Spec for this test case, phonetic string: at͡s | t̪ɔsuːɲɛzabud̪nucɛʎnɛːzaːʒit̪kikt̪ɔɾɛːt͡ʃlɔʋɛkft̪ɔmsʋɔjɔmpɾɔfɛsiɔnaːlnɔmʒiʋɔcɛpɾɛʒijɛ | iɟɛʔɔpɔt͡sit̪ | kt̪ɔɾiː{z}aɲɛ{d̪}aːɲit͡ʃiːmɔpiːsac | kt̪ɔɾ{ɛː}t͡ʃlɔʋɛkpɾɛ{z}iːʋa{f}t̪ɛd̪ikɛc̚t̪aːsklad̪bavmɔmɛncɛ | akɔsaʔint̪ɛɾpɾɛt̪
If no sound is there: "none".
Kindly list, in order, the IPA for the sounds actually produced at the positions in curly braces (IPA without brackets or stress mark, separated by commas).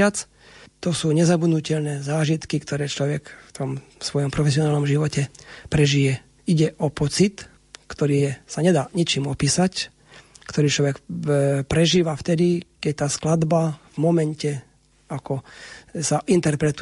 s, d̪, iː, ʒ, f